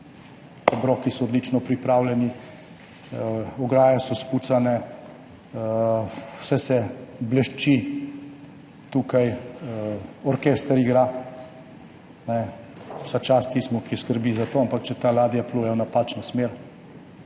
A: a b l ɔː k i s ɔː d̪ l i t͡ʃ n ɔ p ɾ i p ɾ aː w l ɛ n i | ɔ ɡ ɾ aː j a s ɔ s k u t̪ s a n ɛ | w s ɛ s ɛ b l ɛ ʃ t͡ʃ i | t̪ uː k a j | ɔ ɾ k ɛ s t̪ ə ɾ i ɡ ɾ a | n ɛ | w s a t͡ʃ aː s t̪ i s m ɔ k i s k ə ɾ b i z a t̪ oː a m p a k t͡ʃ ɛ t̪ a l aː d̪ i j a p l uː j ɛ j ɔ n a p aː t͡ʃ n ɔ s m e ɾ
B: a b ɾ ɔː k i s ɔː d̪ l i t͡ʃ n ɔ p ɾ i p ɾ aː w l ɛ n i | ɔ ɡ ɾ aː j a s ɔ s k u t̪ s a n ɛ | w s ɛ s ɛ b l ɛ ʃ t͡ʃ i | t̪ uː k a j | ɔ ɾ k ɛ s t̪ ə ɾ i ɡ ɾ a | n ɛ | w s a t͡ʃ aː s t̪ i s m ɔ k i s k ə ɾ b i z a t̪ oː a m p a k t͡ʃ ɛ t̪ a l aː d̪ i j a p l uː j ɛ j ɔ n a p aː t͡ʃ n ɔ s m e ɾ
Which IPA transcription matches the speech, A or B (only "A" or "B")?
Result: B